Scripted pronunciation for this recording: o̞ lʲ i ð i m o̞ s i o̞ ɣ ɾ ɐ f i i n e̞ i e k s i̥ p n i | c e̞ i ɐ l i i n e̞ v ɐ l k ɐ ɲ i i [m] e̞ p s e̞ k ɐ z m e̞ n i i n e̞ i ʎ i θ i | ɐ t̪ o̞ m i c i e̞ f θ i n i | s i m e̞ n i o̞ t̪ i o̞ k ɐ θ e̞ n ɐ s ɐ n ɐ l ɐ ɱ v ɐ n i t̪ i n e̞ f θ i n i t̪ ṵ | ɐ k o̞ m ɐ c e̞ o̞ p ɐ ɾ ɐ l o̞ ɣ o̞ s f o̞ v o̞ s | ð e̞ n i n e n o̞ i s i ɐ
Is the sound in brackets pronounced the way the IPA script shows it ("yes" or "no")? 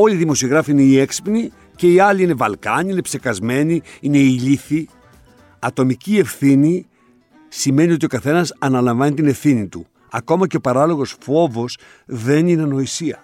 no